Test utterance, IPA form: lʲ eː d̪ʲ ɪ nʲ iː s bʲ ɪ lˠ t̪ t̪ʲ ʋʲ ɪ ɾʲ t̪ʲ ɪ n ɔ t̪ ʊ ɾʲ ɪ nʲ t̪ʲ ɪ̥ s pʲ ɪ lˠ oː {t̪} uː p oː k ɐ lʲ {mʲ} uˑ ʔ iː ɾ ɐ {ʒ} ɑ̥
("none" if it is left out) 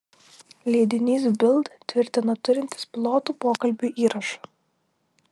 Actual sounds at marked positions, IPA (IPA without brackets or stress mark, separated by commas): t̪, bʲ, ʃ